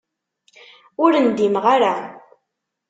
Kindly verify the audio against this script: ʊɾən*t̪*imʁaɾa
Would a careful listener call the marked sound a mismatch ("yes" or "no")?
yes